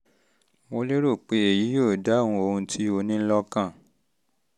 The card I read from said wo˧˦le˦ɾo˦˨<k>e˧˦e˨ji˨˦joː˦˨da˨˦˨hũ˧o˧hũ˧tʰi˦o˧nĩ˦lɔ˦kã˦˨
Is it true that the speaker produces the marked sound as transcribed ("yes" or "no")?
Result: no